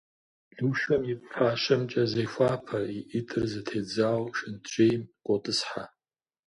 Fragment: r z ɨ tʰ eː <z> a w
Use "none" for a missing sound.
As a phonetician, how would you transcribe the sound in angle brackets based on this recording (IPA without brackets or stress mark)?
d͡z